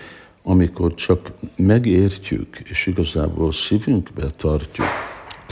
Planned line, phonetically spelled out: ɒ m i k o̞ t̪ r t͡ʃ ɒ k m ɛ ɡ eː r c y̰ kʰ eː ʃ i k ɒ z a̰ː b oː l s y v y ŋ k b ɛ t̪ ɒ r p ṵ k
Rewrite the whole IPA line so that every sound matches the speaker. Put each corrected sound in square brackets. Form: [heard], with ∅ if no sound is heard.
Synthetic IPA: ɒ m i k o̞ [∅] r t͡ʃ ɒ k m ɛ ɡ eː r c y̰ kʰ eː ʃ i [ɡ] ɒ z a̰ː b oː l s [i] v y ŋ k b ɛ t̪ ɒ r [c] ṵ k